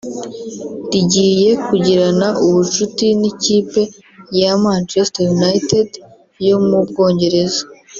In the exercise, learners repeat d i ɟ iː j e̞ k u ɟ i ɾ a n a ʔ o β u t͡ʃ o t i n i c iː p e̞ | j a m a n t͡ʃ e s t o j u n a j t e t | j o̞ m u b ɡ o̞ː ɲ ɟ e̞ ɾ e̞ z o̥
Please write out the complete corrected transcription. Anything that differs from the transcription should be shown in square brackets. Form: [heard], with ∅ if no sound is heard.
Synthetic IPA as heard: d i ɟ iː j e̞ k u ɟ i ɾ a n a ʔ [u] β u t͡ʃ [u] t i n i c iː p e̞ | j a m a n t͡ʃ e s t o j u n a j t e [d] | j o̞ m u b ɡ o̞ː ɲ ɟ e̞ ɾ e̞ z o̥